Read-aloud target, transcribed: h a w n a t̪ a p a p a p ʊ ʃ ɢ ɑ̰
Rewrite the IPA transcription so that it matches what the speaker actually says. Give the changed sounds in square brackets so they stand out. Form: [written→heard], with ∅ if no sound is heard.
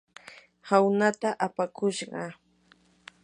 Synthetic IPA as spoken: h a w n a t̪ a [p→ʔ] a p a [p→k] ʊ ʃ ɢ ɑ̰